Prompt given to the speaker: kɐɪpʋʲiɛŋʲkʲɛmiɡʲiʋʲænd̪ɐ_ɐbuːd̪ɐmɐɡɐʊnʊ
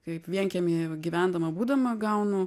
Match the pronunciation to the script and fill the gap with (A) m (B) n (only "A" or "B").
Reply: A